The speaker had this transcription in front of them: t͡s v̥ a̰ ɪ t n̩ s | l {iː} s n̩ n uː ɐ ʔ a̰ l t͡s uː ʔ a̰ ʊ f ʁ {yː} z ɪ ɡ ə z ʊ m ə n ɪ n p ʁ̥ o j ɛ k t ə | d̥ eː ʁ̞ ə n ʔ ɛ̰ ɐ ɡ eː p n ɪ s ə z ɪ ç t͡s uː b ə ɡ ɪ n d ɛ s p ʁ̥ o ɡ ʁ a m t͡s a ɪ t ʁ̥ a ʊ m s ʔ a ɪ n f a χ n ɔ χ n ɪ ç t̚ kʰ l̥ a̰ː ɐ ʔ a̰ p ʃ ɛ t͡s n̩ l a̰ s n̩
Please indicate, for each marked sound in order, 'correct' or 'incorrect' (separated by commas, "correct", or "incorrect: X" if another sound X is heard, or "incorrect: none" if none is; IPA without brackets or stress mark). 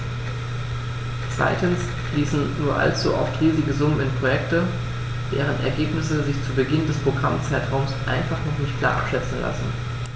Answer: correct, incorrect: iː